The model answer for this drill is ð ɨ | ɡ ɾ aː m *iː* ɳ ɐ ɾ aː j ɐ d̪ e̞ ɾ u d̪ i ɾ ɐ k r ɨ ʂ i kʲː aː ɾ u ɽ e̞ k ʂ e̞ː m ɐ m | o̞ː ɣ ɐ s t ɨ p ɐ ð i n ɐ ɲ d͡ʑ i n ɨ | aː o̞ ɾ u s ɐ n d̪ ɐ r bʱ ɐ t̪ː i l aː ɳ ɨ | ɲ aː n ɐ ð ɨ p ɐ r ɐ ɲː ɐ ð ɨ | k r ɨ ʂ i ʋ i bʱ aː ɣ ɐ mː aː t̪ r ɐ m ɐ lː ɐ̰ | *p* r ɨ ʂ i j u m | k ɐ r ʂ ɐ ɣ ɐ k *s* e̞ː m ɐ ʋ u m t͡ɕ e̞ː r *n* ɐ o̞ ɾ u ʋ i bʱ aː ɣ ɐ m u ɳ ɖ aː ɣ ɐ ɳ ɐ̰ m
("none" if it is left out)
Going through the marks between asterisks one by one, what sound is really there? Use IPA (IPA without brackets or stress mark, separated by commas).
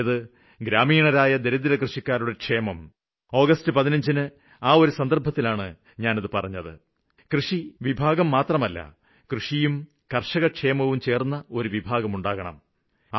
iː, k, ʂ, nː